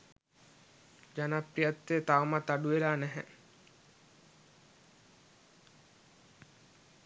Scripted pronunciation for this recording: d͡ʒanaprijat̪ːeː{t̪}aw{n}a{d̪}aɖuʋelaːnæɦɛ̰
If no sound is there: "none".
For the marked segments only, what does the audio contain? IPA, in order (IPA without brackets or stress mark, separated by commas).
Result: t̪, m, t̪